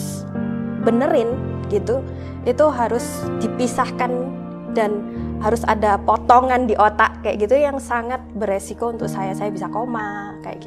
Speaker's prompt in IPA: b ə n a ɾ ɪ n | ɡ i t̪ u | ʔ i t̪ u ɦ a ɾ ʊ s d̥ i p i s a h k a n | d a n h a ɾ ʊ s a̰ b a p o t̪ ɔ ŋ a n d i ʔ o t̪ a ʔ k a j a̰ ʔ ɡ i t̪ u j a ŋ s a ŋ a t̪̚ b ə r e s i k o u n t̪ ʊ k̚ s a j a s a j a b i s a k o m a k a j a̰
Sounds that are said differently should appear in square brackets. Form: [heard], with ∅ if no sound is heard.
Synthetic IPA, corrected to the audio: b ə n [ə] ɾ ɪ n | ɡ i t̪ u | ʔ i t̪ u ɦ a ɾ ʊ s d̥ i p i s a h k a n | d a n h a ɾ ʊ s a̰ [d] a p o t̪ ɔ ŋ a n d i ʔ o t̪ a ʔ k a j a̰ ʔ ɡ i t̪ u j a ŋ s a ŋ a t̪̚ b ə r e s i k o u n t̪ ʊ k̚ s a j a s a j a b i s a k o m a k a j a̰